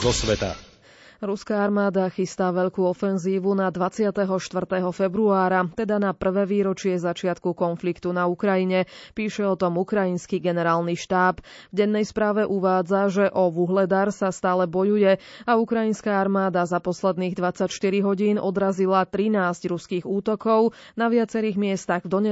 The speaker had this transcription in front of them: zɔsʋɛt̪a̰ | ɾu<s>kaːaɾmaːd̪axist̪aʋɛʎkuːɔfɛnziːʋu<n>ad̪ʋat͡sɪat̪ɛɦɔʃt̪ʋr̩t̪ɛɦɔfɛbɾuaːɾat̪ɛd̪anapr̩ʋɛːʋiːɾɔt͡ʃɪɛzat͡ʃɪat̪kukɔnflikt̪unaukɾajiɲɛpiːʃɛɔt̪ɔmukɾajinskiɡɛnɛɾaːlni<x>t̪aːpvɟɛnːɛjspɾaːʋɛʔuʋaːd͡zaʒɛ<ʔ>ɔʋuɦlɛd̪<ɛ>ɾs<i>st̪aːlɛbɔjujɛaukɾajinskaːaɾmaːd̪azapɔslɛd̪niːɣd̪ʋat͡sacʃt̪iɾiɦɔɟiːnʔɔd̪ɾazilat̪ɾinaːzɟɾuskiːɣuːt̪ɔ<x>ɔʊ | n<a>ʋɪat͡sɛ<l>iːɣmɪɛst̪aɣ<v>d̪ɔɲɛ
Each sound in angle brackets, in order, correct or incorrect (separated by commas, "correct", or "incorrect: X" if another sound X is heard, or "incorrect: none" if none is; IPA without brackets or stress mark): correct, correct, incorrect: ʃ, correct, incorrect: a, incorrect: a, incorrect: k, correct, incorrect: ɾ, correct